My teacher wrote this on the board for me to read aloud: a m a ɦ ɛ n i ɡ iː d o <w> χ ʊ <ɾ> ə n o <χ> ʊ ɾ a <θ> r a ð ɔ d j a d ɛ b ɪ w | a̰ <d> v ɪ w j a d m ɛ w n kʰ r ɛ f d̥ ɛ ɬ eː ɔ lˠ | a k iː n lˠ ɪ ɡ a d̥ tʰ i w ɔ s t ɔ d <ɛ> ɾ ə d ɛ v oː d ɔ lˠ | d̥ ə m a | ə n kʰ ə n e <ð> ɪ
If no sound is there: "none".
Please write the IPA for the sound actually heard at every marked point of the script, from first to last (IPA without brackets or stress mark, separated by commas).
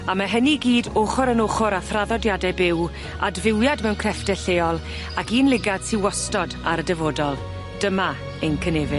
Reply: none, ɾ, χ, θ, d, a, v